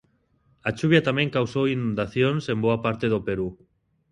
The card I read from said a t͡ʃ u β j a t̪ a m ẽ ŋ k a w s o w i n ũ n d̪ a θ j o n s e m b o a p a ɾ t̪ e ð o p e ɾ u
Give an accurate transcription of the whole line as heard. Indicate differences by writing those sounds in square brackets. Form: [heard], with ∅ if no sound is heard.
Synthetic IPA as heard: a t͡ʃ u β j a t̪ a m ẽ ŋ k a w s o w i n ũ n d̪ a θ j o n s e m b o a p a ɾ t̪ e ð o p e ɾ u